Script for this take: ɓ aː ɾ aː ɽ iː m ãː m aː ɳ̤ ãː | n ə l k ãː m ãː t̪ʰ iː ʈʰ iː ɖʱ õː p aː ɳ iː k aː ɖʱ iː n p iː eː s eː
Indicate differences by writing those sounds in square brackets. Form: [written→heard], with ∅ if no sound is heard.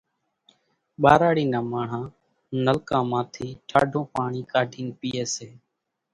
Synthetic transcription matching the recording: ɓ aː ɾ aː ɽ iː [m→n] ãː m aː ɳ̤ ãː | n ə l k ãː m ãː t̪ʰ iː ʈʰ [iː→aː] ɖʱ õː p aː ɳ iː k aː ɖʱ iː n p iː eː s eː